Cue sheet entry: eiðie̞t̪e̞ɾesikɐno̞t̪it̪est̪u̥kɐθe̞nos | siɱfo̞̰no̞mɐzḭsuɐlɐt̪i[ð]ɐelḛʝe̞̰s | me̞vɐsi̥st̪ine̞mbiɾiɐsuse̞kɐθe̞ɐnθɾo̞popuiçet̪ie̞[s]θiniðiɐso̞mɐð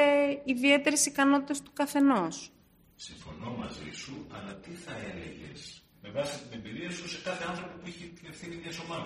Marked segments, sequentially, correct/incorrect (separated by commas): incorrect, incorrect